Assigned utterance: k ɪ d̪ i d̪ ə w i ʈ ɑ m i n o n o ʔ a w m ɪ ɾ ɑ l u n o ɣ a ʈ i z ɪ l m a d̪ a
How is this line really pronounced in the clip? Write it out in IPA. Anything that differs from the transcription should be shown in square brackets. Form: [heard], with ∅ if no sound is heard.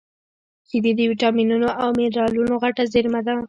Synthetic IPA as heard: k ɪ d̪ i d̪ ə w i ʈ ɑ m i n [u] n o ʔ a w m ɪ ɾ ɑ l u n o ɣ a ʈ [a] z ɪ [ɾ] m a d̪ a